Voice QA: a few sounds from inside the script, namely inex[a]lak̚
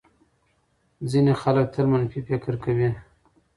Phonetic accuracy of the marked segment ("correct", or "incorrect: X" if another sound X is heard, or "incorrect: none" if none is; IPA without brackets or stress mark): correct